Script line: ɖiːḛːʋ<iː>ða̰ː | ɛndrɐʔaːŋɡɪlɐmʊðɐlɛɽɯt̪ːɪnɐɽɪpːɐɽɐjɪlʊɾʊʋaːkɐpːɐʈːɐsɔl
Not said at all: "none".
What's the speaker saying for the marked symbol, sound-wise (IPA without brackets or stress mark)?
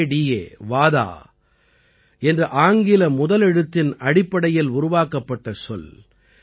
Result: aː